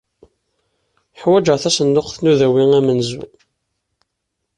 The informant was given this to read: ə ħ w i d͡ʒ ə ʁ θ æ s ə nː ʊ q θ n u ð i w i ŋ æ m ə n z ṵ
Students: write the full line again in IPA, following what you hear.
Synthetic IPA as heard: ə ħ w æ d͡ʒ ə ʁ θ æ s ə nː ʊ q θ n u ð æ w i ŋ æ m ə n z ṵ